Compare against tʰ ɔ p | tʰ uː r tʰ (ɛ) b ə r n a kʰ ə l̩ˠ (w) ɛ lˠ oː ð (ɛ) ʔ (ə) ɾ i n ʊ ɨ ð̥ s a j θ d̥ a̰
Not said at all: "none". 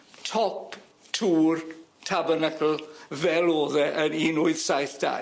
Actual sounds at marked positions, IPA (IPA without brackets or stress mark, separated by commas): a, v, ɛ, ə